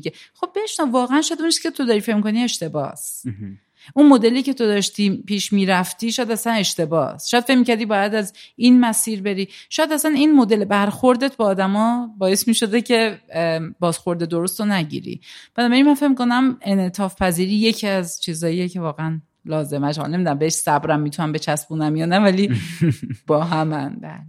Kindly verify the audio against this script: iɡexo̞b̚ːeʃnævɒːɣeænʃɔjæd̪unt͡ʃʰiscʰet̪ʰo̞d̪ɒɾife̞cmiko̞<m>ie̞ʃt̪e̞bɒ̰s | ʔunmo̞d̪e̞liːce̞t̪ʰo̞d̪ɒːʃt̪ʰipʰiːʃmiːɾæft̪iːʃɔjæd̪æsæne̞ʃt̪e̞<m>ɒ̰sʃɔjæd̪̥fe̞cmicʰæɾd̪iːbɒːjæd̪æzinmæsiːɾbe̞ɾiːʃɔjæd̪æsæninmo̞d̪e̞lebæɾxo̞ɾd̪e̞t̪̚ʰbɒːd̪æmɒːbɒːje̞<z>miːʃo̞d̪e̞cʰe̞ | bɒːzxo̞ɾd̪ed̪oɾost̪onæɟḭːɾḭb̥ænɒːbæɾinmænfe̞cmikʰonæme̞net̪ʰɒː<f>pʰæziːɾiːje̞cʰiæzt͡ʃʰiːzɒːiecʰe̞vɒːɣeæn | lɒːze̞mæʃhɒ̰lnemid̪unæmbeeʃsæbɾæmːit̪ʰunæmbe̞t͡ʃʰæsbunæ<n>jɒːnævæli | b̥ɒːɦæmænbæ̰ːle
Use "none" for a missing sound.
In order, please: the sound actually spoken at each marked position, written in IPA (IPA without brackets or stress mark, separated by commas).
n, b, s, f, m